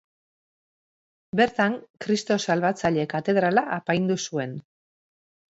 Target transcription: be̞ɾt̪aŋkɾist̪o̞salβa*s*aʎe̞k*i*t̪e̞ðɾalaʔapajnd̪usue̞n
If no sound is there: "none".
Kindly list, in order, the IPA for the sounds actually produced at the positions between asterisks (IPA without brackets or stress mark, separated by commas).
t͡s, a